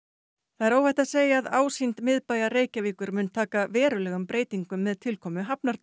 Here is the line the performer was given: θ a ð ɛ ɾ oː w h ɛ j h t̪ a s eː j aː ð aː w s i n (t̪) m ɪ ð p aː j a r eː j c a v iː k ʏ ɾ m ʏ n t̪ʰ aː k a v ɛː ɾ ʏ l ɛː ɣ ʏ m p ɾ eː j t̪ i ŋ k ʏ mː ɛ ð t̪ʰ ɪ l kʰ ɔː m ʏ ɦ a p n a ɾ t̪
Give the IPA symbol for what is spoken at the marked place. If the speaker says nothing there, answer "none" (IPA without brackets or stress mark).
t̪